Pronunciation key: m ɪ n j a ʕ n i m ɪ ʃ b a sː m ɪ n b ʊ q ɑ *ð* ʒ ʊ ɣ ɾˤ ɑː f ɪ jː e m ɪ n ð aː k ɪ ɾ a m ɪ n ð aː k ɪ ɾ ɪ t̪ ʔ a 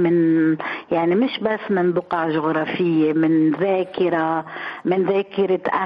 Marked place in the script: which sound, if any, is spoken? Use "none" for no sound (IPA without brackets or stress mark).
ʕ